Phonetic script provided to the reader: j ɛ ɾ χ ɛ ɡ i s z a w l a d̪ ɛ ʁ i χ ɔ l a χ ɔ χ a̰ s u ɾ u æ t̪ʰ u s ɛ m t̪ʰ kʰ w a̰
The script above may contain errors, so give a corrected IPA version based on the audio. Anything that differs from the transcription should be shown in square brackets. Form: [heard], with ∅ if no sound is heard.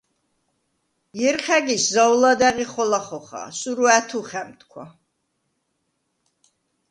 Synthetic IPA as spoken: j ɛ ɾ χ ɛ ɡ i s z a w l a d̪ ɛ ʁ i χ ɔ l a χ ɔ χ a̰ s u ɾ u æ t̪ʰ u [χ] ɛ m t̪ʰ kʰ w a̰